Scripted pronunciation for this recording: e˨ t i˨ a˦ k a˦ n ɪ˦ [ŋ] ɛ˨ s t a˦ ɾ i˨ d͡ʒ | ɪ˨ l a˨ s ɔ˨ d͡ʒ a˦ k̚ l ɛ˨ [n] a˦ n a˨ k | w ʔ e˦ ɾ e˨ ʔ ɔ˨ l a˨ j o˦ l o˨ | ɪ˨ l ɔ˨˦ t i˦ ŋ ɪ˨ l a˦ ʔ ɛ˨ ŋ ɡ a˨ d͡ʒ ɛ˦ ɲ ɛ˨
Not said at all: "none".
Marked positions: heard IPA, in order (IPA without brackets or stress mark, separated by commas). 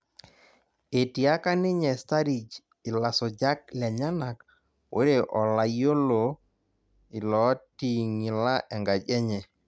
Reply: ɲ, ɲ